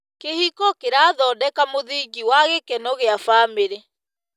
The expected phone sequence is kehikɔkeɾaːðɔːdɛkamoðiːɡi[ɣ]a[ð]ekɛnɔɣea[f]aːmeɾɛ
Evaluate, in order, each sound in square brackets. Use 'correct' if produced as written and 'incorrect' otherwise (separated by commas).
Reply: incorrect, incorrect, correct